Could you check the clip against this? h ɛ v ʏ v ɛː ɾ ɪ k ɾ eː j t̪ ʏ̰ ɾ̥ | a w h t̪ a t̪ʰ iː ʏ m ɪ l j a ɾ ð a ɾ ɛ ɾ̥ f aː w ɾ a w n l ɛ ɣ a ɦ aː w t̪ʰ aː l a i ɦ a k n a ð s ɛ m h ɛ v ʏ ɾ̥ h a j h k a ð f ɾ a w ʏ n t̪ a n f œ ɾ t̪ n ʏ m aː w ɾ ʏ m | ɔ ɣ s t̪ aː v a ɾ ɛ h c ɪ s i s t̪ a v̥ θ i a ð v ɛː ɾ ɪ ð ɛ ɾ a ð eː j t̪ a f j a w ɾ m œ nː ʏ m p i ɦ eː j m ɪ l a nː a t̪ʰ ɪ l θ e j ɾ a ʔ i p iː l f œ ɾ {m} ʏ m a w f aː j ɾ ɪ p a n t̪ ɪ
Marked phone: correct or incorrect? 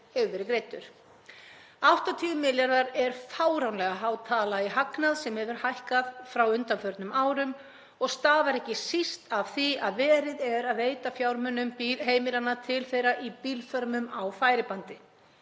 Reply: correct